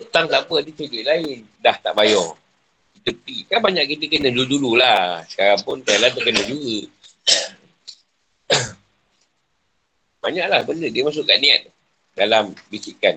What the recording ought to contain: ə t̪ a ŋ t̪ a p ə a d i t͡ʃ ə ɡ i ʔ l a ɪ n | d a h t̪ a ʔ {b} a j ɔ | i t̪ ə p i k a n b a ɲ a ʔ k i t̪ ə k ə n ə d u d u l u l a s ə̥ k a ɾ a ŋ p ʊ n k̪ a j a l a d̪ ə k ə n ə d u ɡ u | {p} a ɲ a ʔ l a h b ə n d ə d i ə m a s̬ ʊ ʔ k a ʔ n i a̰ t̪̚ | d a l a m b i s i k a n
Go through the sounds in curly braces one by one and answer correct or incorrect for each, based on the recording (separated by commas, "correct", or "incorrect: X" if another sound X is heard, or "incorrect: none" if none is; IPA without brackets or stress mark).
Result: correct, incorrect: b